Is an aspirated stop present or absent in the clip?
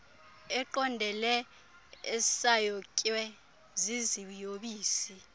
absent